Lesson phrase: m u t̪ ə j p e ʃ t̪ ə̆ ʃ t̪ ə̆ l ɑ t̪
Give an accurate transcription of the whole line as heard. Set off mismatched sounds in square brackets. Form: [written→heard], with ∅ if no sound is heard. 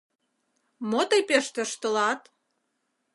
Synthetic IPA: m [u→o] t̪ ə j p e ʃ t̪ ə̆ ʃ t̪ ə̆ l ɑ t̪